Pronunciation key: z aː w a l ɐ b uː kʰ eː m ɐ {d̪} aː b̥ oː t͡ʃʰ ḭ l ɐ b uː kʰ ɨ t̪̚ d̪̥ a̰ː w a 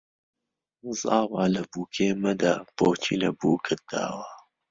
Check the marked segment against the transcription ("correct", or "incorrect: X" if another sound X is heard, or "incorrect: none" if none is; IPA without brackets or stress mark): correct